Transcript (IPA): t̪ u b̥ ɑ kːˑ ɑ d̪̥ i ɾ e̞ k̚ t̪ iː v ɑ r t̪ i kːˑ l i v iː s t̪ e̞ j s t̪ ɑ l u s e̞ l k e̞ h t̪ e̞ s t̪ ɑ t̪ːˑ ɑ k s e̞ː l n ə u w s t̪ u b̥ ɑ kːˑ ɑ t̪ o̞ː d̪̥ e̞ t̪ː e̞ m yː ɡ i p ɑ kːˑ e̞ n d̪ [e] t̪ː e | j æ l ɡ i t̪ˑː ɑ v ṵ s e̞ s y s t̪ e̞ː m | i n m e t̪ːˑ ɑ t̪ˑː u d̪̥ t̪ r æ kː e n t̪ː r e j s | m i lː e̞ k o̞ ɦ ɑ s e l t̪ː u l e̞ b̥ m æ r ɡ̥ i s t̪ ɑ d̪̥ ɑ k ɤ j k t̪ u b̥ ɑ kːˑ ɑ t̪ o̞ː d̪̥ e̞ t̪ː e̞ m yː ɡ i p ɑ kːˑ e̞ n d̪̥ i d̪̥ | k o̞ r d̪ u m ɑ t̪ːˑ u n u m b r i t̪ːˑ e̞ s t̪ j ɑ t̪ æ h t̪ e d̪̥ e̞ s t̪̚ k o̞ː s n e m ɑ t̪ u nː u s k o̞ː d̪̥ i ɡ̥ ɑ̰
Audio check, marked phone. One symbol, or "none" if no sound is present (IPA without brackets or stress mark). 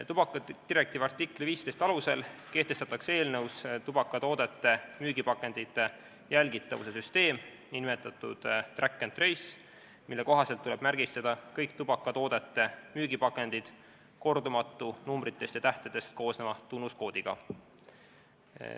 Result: i